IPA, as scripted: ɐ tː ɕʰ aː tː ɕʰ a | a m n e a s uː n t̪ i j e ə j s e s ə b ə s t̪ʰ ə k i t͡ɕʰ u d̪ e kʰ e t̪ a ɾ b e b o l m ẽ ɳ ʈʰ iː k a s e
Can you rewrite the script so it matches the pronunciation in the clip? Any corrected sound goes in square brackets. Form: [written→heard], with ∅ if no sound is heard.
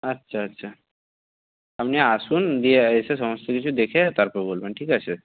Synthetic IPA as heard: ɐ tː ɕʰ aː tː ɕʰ a | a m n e a s uː n [t̪→d̪] i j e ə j s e s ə [b→m] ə s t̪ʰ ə k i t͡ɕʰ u d̪ e kʰ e t̪ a ɾ [b→p] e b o l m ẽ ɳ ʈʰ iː k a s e